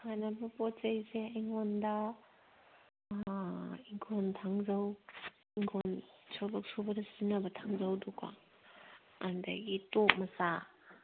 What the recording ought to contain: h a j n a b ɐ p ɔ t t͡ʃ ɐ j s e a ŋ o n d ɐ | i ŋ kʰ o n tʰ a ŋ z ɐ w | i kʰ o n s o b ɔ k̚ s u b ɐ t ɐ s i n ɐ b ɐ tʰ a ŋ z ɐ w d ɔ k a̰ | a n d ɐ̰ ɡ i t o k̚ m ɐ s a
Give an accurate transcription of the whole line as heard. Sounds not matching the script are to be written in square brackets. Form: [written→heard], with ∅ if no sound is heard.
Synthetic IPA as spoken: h a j n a b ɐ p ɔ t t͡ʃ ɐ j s e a ŋ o n d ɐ | i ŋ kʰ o n tʰ a ŋ z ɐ w | i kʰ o n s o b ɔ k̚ s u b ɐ [t→d] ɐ s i n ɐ b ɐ tʰ a ŋ z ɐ w d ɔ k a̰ | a n d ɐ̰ ɡ i t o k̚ m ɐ s a